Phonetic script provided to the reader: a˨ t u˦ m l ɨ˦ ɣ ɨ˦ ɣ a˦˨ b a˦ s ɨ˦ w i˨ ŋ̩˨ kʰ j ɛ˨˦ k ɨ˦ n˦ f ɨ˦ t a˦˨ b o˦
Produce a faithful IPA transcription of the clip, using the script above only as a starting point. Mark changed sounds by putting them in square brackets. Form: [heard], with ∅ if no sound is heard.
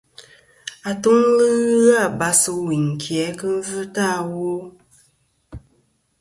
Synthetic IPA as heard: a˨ t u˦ [ŋ] l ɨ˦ ɣ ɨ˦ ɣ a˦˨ b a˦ s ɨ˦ w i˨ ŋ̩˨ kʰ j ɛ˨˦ k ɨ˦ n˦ [v] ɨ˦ t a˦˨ [w] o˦